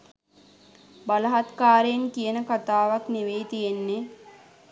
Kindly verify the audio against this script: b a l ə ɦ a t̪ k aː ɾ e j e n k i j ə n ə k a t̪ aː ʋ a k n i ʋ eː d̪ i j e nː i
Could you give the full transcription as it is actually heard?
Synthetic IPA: b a l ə ɦ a t̪ k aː ɾ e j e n k i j ə n ə k a t̪ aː ʋ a k n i ʋ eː t̪ i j e nː e